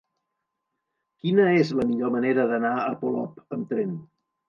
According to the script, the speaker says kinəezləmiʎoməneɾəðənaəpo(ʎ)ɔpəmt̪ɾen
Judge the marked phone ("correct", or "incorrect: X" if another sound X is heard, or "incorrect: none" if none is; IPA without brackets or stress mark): incorrect: l